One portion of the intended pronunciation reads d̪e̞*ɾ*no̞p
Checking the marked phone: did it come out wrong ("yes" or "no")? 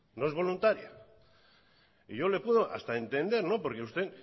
no